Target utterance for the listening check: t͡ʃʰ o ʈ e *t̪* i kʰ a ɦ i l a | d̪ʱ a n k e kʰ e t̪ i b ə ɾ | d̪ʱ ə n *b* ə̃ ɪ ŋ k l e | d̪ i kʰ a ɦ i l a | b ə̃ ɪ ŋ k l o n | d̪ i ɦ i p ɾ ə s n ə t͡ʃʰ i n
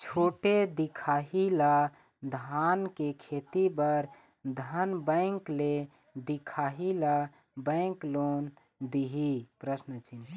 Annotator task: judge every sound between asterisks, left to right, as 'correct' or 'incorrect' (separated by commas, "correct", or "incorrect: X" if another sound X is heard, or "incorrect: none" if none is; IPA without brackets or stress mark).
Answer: incorrect: d̪, correct